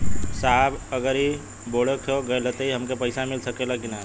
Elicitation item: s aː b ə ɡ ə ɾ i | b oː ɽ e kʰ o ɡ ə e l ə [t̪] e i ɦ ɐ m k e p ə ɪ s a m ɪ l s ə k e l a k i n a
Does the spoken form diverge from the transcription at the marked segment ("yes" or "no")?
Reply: no